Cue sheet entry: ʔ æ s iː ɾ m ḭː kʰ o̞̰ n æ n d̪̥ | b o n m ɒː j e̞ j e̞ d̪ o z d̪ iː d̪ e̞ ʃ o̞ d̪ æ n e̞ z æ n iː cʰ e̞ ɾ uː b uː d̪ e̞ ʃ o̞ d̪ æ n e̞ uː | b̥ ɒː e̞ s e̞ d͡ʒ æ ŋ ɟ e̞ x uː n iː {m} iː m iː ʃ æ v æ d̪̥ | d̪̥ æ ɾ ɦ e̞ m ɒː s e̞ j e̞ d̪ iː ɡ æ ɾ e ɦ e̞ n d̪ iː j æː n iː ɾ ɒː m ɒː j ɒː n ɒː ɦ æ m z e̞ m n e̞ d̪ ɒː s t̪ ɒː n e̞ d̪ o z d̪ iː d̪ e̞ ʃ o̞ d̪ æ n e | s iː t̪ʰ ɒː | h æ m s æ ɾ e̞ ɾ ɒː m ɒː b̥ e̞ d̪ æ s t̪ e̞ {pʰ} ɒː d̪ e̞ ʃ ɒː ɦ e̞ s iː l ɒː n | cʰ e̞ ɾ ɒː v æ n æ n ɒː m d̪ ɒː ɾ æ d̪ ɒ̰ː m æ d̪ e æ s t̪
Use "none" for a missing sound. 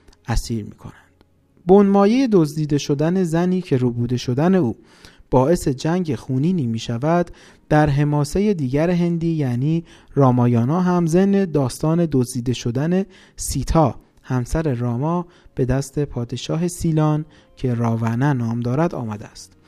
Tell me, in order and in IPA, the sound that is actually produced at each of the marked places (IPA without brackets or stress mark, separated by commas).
n, pʰ